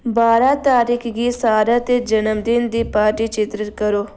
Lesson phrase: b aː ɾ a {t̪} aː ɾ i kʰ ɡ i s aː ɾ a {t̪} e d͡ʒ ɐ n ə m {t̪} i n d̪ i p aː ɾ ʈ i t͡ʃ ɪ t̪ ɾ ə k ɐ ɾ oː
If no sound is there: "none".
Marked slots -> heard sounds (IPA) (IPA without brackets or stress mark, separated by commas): t̪, t̪, d̪